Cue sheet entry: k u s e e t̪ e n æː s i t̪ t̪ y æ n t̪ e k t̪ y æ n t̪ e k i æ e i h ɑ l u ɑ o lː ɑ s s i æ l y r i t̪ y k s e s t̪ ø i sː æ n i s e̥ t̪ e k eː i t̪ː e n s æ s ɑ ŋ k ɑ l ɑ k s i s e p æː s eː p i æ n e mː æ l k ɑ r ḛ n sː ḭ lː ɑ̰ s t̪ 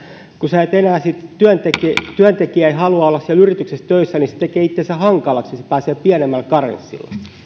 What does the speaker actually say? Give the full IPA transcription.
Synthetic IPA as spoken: k u s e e t̪ e n æː s i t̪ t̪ y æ n t̪ e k t̪ y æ n t̪ e k i æ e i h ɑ l u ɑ o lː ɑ s s i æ l y r i t̪ y k s e s t̪ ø i sː æ n i s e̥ t̪ e k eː i t̪ː e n s æ h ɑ ŋ k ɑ l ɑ k s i s e p æː s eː p i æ n e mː æ l k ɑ r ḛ n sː ḭ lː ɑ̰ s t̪